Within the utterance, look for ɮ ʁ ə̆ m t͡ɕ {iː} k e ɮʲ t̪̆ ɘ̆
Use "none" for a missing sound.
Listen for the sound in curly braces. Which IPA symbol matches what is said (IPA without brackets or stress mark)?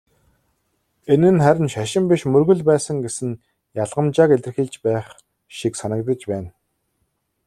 aː